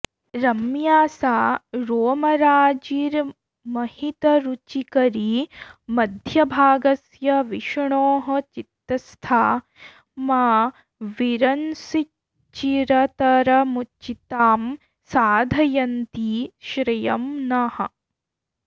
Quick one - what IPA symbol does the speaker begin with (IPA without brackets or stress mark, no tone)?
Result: ɾ